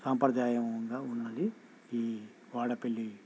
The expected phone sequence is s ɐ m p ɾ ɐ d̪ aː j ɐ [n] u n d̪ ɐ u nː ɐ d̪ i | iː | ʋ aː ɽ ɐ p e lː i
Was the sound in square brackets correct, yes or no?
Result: no